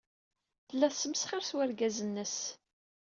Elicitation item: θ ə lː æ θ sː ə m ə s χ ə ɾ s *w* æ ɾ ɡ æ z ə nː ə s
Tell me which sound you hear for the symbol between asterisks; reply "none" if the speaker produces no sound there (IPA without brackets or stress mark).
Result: w